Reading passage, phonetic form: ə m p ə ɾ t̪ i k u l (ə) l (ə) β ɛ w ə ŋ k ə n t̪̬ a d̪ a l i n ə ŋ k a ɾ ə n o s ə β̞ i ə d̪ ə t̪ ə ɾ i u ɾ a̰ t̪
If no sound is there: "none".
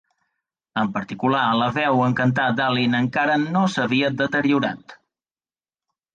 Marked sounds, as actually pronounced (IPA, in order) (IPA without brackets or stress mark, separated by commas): a, ə